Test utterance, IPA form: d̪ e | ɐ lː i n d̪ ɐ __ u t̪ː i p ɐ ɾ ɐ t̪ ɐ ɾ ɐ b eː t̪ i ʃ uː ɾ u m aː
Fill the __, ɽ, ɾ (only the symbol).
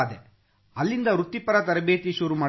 ɾ